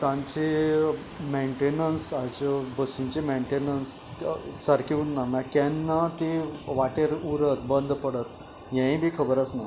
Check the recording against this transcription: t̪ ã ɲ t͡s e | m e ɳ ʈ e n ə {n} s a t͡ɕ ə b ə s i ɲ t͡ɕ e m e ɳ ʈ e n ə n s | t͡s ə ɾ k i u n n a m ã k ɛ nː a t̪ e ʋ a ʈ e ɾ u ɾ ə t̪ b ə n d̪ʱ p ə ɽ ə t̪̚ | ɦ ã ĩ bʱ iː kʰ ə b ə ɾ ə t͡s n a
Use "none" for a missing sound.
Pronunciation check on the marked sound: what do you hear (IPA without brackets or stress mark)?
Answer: n